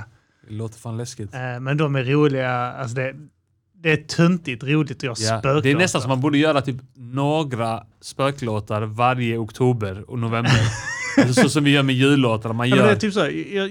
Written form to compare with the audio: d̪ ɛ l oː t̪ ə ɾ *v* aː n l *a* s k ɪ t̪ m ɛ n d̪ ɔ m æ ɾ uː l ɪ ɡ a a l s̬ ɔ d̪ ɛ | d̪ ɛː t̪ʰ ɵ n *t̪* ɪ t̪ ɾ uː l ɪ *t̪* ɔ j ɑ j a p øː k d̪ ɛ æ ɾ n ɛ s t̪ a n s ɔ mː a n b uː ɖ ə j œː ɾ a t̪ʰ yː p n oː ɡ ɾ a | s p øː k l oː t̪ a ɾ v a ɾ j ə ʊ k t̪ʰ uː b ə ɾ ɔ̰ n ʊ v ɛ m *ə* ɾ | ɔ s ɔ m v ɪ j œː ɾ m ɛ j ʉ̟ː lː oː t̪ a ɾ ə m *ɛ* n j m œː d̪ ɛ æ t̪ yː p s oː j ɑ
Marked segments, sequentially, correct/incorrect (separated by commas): incorrect, incorrect, correct, correct, correct, incorrect